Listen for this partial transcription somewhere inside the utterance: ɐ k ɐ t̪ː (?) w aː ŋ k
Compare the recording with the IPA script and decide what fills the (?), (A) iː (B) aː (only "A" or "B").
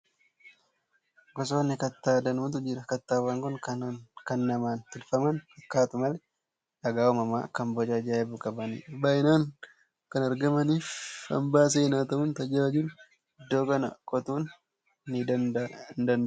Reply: B